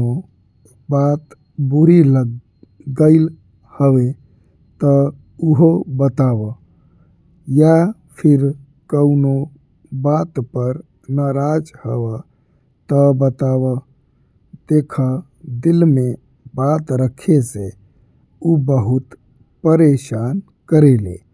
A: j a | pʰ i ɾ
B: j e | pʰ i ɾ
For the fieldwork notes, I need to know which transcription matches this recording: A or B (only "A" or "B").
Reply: A